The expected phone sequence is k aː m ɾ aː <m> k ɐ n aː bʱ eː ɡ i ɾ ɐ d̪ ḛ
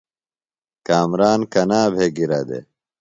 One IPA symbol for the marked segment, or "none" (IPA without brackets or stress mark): n